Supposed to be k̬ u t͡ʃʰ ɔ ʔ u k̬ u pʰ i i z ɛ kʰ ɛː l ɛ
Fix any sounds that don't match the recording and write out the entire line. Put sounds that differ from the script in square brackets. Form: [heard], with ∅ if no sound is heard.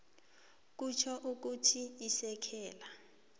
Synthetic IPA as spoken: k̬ u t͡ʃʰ ɔ ʔ u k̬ u [tʰ] i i [s] ɛ kʰ ɛː l [a]